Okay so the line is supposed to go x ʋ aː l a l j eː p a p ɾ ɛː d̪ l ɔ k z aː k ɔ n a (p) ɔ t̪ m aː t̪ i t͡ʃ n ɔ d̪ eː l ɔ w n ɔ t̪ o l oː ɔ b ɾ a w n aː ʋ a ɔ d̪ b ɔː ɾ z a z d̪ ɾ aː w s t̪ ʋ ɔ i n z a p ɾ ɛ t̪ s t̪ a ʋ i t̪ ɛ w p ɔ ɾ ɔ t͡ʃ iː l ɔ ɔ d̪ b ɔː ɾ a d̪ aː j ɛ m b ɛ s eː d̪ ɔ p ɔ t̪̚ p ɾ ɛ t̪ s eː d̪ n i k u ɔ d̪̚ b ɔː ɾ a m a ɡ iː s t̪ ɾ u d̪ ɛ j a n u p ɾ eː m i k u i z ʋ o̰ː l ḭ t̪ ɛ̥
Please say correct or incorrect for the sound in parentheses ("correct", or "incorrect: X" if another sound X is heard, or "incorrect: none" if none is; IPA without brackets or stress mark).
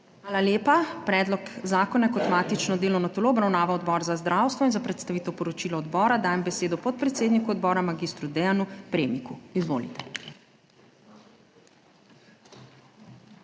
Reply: incorrect: k